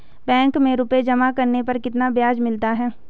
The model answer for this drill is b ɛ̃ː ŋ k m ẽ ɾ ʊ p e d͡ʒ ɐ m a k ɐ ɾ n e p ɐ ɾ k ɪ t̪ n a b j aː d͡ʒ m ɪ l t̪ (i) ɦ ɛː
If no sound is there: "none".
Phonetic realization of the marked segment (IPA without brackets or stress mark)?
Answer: a